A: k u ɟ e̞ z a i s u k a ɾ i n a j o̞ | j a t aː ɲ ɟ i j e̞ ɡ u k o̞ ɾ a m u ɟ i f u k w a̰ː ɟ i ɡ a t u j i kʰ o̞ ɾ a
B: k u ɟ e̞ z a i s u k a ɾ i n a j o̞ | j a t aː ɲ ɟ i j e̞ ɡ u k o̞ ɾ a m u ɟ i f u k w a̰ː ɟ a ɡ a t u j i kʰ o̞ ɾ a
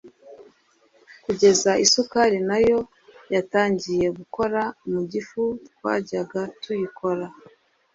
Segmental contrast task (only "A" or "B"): B